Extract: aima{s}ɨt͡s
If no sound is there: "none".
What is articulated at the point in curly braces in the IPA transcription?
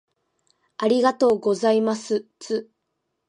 s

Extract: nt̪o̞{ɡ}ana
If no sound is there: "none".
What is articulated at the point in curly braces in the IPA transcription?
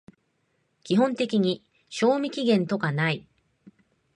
k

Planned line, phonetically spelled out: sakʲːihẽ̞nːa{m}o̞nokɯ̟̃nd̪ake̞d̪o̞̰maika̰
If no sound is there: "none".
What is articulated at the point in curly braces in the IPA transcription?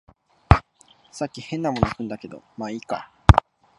m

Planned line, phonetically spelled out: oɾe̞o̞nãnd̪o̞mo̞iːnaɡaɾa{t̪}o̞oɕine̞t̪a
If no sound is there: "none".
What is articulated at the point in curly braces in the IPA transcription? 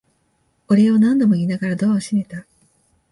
d̪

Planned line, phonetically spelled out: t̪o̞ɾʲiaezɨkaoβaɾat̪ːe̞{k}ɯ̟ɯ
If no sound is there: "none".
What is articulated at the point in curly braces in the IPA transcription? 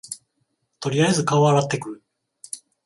k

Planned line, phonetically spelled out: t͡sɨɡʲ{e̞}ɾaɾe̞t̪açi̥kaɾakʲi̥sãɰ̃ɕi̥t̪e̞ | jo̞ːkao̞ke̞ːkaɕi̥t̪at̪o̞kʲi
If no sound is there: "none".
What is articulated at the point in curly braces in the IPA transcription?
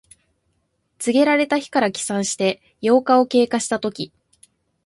e̞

